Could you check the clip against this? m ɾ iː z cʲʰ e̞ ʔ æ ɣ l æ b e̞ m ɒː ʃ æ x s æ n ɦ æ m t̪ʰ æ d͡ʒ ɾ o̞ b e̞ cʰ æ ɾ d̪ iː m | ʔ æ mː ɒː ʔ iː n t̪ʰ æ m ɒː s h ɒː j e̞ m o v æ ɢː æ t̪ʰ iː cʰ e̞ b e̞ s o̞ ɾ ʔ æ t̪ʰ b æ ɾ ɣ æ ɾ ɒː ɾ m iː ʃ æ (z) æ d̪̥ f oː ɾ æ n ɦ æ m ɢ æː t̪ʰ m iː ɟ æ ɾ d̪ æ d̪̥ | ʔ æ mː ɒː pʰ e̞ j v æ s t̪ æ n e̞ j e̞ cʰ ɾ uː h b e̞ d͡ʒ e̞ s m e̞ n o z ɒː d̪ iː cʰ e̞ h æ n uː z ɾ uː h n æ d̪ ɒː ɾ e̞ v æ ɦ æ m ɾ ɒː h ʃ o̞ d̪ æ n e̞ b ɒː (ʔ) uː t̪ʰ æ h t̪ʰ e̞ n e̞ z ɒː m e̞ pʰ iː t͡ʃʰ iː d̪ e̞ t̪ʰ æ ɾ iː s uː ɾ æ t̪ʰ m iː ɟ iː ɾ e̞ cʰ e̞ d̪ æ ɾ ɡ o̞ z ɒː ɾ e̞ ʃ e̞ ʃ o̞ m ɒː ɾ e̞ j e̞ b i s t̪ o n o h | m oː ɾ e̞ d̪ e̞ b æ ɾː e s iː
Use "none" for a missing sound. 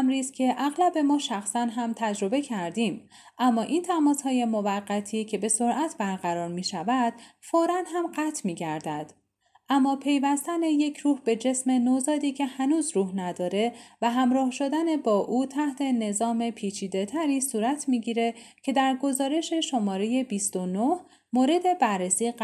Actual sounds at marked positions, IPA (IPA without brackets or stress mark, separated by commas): v, ʔ